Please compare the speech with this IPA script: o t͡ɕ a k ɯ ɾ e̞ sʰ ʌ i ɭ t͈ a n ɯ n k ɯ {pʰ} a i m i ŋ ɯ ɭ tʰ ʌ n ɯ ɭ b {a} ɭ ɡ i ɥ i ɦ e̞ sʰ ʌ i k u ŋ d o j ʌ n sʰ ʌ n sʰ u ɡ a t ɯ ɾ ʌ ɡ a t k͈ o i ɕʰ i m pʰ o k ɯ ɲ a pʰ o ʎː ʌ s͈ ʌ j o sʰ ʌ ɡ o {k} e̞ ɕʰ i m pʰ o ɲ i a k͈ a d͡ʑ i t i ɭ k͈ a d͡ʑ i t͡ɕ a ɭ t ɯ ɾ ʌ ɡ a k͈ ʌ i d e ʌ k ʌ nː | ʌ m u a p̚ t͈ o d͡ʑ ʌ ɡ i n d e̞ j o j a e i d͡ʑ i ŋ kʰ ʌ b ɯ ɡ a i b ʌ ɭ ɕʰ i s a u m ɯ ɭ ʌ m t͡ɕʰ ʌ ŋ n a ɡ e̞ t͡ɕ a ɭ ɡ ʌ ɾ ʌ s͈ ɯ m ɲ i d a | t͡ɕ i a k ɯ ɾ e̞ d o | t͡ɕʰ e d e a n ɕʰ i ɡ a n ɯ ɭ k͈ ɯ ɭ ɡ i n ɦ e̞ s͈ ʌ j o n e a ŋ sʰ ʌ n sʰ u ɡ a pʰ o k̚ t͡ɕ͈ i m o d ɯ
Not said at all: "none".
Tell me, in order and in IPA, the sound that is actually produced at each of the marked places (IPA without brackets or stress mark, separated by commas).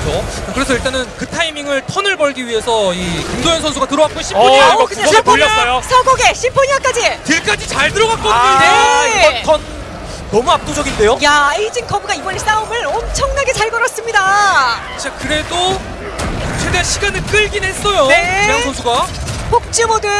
tʰ, ʌ, ɡ